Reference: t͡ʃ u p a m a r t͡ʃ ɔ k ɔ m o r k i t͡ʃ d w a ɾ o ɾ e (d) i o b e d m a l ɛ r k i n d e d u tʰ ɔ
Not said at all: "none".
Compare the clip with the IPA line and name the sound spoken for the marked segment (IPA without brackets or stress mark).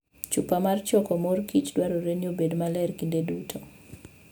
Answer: n